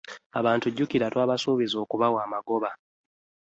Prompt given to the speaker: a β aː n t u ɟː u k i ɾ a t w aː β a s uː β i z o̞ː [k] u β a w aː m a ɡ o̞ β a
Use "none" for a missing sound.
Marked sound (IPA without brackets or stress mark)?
k